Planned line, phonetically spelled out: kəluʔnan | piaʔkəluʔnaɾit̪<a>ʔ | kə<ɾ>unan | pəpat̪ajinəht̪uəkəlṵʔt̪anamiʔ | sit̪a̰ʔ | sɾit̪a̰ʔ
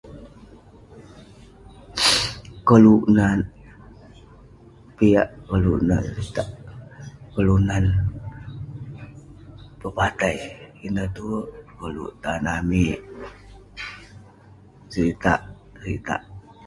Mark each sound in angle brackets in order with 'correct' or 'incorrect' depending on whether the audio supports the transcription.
correct, incorrect: l

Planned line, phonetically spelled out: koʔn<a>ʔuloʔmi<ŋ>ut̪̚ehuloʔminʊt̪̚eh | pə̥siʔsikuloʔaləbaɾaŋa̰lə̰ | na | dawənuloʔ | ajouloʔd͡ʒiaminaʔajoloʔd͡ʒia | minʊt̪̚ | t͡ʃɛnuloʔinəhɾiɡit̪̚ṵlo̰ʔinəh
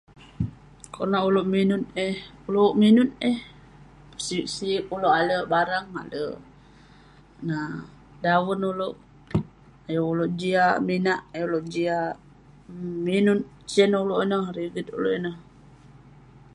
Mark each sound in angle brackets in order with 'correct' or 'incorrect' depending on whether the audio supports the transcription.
correct, incorrect: n

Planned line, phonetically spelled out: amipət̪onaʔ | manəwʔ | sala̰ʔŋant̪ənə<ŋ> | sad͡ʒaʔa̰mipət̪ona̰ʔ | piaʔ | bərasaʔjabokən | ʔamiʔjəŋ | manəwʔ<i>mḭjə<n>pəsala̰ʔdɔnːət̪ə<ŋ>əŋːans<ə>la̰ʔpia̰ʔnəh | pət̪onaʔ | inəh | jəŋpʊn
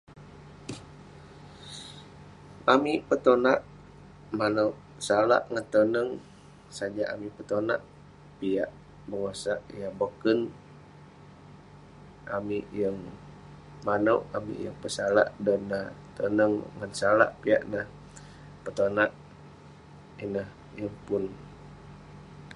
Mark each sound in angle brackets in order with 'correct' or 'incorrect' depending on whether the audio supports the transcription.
correct, incorrect: a, incorrect: ŋ, incorrect: n, incorrect: a

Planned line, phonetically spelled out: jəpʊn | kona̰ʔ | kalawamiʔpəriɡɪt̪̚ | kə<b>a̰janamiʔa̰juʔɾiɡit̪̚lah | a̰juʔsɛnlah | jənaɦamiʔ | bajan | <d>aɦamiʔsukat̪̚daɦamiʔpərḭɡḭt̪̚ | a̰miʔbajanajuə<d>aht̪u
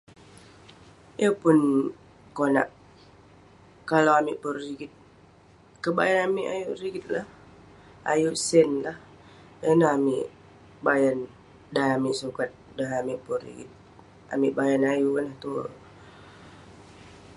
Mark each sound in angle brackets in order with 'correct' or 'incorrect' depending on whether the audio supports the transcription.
correct, correct, incorrect: n

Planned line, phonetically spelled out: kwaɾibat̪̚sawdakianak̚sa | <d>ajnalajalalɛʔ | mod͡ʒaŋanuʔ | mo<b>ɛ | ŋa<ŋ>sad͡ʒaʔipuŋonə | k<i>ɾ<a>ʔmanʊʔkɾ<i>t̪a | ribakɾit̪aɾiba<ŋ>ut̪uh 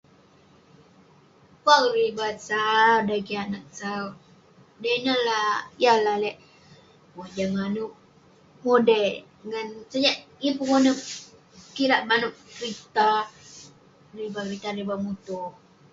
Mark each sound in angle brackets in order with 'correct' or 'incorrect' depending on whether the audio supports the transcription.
correct, incorrect: d, incorrect: n, correct, correct, correct, incorrect: m

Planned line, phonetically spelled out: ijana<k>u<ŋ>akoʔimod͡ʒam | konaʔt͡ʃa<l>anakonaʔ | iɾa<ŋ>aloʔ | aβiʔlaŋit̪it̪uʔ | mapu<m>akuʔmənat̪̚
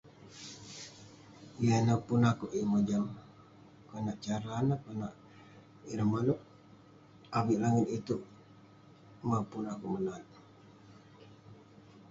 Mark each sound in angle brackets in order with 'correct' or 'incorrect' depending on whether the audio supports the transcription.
incorrect: p, incorrect: n, incorrect: ɾ, incorrect: m, incorrect: n

